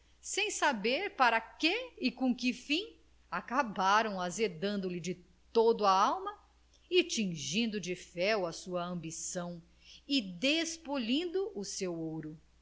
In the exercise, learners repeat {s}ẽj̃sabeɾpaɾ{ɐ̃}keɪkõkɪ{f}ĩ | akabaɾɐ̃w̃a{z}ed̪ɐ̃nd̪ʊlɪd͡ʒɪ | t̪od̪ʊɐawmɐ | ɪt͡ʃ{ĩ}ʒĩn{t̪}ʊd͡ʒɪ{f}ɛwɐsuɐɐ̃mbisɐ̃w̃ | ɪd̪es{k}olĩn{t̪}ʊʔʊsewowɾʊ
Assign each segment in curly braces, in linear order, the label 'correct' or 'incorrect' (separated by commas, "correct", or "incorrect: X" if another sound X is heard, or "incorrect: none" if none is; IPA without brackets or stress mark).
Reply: correct, incorrect: ɐ, correct, correct, correct, incorrect: d̪, correct, incorrect: p, incorrect: d̪